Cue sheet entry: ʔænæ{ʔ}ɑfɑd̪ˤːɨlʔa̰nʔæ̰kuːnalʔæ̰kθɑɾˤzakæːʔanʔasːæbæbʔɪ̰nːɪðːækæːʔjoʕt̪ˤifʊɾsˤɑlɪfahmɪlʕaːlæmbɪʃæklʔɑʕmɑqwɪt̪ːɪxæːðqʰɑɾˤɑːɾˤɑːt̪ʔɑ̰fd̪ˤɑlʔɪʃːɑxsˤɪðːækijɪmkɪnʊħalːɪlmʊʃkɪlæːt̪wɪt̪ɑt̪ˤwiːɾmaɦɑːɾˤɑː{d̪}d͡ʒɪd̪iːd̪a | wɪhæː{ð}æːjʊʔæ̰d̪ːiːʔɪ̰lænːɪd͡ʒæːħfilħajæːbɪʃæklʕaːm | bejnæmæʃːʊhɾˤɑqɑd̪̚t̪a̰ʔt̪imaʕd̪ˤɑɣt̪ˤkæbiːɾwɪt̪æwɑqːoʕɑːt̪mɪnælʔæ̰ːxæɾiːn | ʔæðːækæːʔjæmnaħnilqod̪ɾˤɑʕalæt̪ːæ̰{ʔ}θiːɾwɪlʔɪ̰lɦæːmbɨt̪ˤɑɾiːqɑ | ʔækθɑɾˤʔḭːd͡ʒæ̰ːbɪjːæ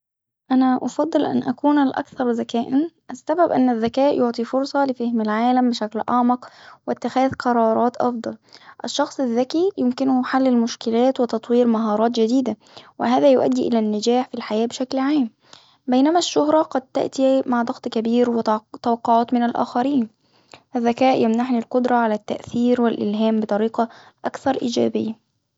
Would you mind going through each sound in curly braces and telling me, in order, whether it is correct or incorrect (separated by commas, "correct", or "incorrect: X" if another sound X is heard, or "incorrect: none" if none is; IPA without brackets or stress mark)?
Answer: correct, incorrect: t̪, correct, correct